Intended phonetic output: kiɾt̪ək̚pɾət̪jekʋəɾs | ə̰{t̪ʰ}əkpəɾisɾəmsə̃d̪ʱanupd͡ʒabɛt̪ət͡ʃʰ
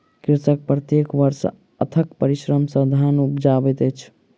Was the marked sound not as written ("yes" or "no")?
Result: no